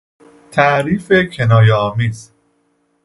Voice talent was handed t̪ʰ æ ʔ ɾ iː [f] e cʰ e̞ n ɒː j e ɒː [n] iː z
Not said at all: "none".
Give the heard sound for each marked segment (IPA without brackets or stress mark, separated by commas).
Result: f, m